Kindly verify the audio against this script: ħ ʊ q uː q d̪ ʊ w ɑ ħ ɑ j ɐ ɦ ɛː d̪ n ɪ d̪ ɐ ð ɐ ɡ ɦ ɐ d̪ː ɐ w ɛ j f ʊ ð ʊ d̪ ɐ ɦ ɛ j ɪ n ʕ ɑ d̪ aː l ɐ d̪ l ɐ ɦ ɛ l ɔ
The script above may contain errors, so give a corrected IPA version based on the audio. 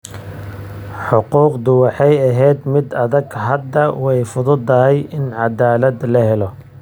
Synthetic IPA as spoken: ħ ʊ q uː q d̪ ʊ w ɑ ħ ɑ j ɐ ɦ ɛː d̪ m ɪ d̪ ɐ ð ɐ ɡ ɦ ɐ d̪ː ɐ w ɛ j f ʊ ð ʊ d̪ ɐ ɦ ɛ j ɪ n ʕ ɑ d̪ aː l ɐ d̪ l ɐ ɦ ɛ l ɔ